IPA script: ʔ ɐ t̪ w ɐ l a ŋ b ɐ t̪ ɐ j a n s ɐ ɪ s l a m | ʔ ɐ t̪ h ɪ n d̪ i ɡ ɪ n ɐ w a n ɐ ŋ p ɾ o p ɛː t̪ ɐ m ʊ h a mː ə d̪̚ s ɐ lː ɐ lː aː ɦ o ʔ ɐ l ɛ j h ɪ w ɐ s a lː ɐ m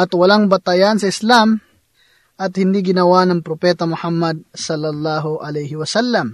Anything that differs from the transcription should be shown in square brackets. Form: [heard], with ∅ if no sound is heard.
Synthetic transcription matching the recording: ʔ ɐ t̪ w ɐ l a ŋ b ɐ t̪ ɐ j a n s ɐ ɪ s l a m | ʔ ɐ t̪ h ɪ n d̪ i ɡ ɪ n ɐ w a n ɐ ŋ p ɾ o p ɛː t̪ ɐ m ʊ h a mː [ɐ] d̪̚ s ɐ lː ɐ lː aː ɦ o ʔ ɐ l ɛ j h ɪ w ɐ s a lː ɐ m